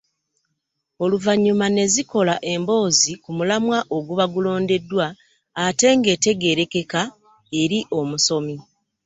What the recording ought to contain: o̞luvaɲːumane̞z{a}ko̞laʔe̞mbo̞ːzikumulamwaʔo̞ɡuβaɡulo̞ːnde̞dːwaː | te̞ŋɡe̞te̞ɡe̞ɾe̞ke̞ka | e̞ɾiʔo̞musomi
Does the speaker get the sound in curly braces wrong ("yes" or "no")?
yes